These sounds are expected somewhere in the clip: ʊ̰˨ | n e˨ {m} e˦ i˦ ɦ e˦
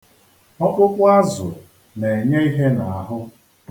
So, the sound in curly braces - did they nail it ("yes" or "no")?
no